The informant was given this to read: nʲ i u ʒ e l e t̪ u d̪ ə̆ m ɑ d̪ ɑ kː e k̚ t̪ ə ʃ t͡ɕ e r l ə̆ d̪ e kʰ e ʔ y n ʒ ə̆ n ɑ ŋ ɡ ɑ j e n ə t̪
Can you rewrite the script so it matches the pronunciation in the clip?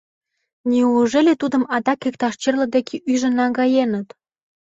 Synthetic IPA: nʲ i u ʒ e l e t̪ u d̪ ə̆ m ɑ d̪ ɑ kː e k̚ t̪ ɑ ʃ t͡ɕ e r l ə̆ d̪ e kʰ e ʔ y ʒ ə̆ n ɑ ŋ ɡ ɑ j e n ə t̪